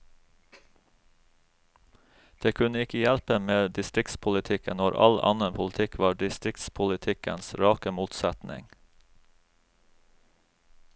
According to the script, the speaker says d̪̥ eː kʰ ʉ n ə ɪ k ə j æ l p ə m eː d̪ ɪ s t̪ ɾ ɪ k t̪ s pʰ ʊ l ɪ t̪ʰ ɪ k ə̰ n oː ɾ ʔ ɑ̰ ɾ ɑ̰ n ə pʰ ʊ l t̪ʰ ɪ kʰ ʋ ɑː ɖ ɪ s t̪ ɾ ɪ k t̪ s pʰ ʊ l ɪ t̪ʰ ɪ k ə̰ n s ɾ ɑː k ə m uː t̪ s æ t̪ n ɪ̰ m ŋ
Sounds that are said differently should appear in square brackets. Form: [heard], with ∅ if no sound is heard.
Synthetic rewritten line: d̪̥ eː kʰ ʉ n ə ɪ k ə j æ l p ə m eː d̪ ɪ s t̪ ɾ ɪ k t̪ s pʰ ʊ l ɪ t̪ʰ ɪ k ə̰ n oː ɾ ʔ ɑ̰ [l] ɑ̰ n ə pʰ ʊ l t̪ʰ ɪ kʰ ʋ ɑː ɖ ɪ s t̪ ɾ ɪ k t̪ s pʰ ʊ l ɪ t̪ʰ ɪ k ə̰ n s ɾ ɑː k ə m uː t̪ s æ t̪ n ɪ̰ [∅] ŋ